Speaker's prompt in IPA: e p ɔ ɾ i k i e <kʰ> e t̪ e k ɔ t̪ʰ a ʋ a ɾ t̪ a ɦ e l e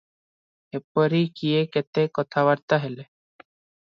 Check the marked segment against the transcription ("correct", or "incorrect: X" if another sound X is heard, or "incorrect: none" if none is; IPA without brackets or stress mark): incorrect: k